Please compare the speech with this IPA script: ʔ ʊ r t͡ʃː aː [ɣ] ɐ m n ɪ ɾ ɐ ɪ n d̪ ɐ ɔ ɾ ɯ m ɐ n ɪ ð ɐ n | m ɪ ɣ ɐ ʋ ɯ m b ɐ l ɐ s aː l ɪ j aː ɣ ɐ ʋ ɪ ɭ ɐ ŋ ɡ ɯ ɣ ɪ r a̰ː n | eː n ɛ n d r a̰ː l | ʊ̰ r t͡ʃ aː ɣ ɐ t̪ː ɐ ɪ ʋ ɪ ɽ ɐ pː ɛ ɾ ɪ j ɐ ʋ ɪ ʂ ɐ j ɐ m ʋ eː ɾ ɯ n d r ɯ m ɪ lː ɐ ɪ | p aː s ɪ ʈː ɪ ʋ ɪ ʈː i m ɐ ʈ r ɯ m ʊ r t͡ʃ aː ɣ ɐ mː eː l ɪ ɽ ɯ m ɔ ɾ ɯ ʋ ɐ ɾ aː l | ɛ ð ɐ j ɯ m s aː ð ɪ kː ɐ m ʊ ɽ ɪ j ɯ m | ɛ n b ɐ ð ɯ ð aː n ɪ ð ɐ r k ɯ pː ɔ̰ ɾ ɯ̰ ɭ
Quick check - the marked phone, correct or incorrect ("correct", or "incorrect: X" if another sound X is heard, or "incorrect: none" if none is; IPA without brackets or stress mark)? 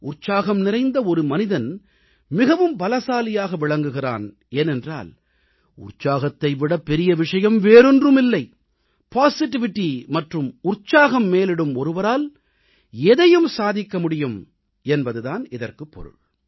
correct